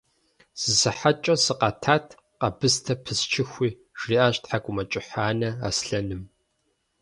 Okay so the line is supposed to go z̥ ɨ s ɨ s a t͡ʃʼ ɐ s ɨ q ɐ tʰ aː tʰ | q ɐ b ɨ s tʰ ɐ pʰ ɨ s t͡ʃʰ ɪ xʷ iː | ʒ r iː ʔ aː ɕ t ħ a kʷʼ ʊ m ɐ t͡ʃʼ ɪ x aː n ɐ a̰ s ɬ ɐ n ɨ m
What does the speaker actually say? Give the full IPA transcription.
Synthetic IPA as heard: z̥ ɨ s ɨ ħ a t͡ʃʼ ɐ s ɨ q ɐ tʰ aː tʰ | q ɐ b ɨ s tʰ ɐ pʰ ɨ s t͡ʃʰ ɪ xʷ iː | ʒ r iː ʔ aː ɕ t ħ a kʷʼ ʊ m ɐ t͡ʃʼ ɪ ħ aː n ɐ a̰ s ɬ ɐ n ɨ m